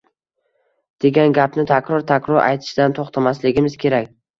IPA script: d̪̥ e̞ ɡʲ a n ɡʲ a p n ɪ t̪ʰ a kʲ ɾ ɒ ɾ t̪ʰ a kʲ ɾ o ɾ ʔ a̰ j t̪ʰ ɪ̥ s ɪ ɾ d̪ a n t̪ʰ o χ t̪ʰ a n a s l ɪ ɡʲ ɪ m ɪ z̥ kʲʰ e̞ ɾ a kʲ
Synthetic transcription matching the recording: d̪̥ e̞ ɡʲ a n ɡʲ a p n ɪ t̪ʰ a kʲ ɾ ɒ ɾ t̪ʰ a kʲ ɾ ɒ ɾ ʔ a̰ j t̪ʰ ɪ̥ ʃ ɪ d̪ a n t̪ʰ o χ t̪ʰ a m a s l ɪ ɡʲ ɪ m ɪ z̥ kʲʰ e̞ ɾ a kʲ